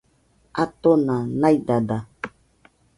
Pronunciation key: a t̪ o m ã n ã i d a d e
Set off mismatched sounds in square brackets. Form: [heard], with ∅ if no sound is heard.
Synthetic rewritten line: a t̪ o [n] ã n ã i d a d [a]

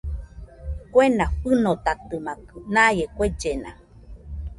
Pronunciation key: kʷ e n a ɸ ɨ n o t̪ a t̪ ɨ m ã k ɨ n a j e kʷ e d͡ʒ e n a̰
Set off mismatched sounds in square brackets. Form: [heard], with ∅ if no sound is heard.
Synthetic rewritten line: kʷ e n a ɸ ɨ n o t̪ a t̪ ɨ m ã k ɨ n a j e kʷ e d͡ʒ e n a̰

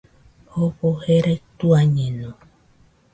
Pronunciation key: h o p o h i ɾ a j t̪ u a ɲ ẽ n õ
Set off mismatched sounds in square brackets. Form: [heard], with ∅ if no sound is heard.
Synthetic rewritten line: h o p o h [e] ɾ a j t̪ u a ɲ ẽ n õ

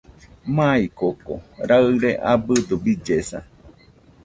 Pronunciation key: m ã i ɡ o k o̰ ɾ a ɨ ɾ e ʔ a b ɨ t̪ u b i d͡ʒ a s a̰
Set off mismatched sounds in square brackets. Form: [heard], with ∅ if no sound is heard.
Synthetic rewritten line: m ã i [k] o k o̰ ɾ a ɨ ɾ e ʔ a b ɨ [d̪] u b i d͡ʒ [e] s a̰

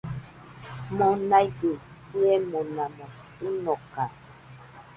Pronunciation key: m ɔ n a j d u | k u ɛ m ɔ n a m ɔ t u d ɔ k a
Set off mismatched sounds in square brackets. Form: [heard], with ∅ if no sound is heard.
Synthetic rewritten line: m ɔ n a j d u | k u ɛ m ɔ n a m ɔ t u [n] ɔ k a

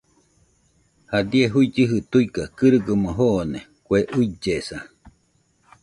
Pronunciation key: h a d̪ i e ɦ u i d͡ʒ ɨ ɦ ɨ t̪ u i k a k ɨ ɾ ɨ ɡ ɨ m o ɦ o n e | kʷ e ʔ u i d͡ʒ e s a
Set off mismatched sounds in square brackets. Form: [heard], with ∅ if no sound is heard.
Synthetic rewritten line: h a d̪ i e ɦ u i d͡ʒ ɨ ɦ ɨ t̪ u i k a k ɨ ɾ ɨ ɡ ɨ m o ɦ o n e | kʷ e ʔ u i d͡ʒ e s a

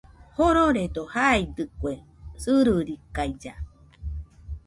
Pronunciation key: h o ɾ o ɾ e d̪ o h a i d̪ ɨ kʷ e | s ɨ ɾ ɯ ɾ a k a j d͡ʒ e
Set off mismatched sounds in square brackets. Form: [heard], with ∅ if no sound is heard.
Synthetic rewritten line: h o ɾ o ɾ e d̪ o h a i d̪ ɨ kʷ e | s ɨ ɾ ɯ ɾ [i] k a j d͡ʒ [a]

